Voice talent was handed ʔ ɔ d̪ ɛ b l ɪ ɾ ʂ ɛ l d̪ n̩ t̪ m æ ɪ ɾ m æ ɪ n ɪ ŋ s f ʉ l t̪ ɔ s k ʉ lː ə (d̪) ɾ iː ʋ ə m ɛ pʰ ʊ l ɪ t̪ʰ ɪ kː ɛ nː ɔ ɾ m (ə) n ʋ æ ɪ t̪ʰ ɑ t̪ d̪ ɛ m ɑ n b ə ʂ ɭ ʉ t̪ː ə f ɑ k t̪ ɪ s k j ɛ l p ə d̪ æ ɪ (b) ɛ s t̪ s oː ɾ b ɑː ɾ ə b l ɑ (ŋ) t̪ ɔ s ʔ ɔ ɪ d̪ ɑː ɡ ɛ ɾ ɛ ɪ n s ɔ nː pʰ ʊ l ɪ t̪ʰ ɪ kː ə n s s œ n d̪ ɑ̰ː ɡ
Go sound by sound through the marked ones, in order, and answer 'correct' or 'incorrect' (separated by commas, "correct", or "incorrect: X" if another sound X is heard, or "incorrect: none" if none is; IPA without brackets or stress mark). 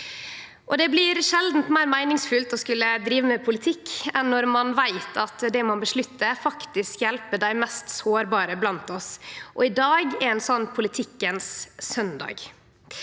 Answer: correct, incorrect: ɑ, incorrect: m, incorrect: n